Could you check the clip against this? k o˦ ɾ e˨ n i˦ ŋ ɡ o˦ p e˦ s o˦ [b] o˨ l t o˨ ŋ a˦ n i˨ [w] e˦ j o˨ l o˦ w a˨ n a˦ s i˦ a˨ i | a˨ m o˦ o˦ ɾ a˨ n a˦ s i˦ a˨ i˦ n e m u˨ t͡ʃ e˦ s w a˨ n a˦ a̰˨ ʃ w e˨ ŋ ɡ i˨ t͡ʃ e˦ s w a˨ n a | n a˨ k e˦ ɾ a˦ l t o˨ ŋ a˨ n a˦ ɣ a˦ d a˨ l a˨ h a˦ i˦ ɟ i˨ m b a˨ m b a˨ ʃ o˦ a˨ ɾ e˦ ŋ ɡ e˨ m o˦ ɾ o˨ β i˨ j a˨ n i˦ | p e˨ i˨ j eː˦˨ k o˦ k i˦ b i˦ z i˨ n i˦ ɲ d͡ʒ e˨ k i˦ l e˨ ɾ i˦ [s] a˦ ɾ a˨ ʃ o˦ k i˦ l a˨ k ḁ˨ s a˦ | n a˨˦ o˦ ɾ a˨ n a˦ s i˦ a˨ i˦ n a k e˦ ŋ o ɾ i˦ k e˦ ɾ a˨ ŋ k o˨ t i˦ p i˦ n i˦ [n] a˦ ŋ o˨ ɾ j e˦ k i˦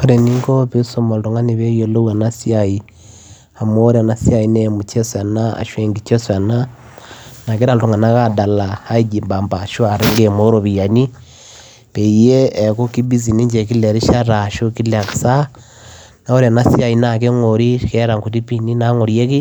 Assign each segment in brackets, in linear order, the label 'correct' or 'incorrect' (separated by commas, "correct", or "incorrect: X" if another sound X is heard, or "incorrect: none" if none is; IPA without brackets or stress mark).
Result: incorrect: m, incorrect: β, incorrect: ʃ, correct